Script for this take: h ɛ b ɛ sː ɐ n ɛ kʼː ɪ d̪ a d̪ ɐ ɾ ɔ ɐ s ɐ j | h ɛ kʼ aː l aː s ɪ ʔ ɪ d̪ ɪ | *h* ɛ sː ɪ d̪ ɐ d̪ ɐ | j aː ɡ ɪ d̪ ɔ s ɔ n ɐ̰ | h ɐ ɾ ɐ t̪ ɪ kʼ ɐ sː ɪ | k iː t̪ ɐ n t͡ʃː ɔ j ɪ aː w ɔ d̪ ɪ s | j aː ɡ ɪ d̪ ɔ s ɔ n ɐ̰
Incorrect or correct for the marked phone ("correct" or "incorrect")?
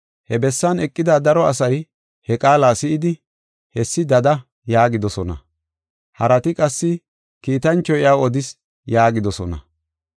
correct